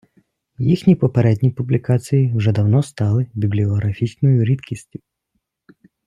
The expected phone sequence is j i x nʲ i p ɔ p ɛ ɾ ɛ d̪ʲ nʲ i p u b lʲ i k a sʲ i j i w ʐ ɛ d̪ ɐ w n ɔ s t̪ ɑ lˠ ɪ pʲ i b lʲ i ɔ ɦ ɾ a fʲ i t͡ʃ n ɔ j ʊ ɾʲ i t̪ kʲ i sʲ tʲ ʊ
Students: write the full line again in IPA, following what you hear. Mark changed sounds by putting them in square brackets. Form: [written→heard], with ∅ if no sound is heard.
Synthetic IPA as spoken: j i x nʲ i p ɔ p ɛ ɾ ɛ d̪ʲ nʲ i p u b lʲ i k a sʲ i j i w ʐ ɛ d̪ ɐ w n ɔ s t̪ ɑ lˠ ɪ [pʲ→bʲ] i b lʲ i ɔ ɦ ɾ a fʲ i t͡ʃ n ɔ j ʊ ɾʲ i t̪ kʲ i sʲ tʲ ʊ